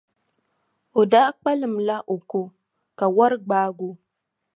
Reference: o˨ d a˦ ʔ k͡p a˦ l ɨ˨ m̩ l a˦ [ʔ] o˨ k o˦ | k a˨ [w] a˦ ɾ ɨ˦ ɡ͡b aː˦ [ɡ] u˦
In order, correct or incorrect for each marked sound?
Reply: correct, correct, correct

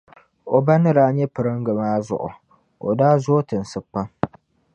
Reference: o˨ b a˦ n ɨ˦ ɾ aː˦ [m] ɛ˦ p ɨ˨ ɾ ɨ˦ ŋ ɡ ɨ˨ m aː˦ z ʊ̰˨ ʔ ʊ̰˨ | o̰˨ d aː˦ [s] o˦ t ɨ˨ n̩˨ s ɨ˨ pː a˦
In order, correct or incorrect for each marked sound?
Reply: incorrect: ɲ, incorrect: z

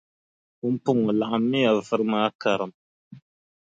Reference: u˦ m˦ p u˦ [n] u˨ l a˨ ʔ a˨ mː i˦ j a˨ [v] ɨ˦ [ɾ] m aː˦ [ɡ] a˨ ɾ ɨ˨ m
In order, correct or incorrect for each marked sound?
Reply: incorrect: ŋ, correct, correct, incorrect: k

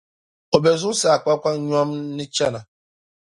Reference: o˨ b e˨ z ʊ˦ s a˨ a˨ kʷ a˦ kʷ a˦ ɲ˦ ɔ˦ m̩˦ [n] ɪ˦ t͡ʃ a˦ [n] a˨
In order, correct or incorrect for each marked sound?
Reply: correct, correct

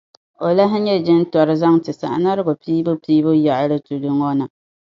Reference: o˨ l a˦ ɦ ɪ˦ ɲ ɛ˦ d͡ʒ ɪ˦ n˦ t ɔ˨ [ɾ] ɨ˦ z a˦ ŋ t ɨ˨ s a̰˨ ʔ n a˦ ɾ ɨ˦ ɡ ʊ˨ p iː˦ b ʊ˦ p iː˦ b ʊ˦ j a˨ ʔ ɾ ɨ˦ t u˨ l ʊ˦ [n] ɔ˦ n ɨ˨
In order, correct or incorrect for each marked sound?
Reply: correct, incorrect: ŋ

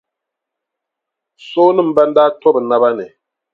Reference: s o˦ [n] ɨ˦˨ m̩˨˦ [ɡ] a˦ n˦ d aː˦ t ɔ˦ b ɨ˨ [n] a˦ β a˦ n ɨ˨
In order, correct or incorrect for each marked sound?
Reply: correct, incorrect: b, correct

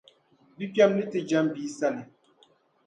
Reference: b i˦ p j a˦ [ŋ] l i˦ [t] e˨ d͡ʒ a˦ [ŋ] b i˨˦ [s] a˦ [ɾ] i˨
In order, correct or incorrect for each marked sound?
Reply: incorrect: m, correct, incorrect: m, correct, incorrect: l

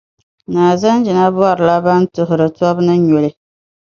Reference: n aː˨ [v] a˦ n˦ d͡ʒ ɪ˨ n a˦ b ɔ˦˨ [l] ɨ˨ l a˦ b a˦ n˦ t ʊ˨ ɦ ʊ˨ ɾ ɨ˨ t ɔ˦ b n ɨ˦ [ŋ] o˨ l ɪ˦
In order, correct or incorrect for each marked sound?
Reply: incorrect: z, incorrect: ɾ, incorrect: ɲ

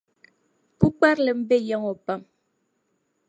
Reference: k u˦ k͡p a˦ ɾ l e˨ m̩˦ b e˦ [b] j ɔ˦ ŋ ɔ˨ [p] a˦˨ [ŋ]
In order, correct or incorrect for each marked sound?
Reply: incorrect: none, correct, incorrect: m

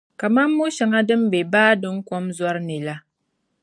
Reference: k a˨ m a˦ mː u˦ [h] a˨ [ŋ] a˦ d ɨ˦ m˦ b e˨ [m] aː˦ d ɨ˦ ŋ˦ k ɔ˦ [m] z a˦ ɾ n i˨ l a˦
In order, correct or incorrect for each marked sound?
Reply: incorrect: ʃ, correct, incorrect: b, correct

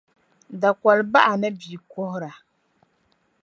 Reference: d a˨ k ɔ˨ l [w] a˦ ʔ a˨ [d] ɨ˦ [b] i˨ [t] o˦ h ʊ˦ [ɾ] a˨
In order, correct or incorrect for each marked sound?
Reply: incorrect: b, incorrect: n, correct, incorrect: k, correct

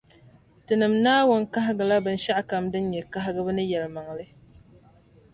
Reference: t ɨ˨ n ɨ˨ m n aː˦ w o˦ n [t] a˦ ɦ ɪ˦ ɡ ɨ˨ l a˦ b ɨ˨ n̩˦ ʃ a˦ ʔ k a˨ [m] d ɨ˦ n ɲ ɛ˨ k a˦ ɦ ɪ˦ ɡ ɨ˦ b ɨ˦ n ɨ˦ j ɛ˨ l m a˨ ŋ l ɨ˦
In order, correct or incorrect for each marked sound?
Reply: incorrect: k, correct

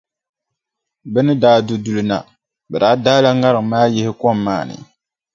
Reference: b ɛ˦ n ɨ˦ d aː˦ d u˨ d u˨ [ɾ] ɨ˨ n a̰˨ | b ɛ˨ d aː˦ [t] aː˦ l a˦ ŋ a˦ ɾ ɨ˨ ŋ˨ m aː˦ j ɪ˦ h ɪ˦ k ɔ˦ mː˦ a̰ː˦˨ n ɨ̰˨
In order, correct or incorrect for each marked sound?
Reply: incorrect: l, incorrect: d

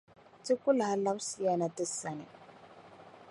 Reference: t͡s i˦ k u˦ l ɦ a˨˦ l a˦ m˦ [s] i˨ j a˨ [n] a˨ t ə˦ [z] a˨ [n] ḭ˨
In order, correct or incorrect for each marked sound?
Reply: correct, correct, incorrect: s, correct

